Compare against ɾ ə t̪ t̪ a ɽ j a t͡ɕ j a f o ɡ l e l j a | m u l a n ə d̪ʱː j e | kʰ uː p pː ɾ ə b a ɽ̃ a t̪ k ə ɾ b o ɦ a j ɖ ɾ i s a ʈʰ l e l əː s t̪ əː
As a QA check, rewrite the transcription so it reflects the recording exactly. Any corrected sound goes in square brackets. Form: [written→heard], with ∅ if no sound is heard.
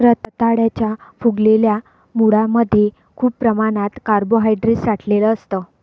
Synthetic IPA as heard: ɾ ə t̪ t̪ a ɽ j a t͡ɕ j a f [o→u] ɡ l e l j a | m u [l→ɽ] a [n→m] ə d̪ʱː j e | kʰ uː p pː ɾ ə [b→m] a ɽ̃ a t̪ k [ə→a] ɾ b o ɦ a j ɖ ɾ i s a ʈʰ l e l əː s t̪ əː